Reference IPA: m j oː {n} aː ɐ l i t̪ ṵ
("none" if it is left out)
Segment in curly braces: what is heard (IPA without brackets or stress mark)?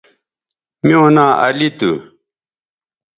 n